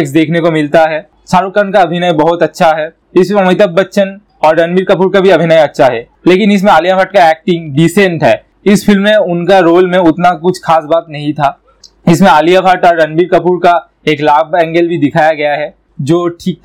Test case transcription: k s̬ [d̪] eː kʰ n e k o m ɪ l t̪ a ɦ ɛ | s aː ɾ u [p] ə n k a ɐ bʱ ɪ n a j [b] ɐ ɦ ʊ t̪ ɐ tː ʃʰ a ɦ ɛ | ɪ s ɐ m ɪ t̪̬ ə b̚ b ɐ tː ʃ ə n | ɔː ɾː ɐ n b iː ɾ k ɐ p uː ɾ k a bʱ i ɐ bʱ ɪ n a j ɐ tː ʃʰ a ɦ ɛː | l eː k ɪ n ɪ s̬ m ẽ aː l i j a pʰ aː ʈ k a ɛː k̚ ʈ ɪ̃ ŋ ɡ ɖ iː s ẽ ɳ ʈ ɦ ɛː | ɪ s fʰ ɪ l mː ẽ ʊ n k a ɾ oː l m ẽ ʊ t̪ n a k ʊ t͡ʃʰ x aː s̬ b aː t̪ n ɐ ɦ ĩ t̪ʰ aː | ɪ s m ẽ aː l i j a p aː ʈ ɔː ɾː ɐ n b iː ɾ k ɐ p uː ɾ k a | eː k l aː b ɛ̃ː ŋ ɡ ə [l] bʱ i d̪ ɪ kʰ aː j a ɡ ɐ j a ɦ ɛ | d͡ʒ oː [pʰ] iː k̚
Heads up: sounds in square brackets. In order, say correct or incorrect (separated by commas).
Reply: correct, incorrect, correct, correct, incorrect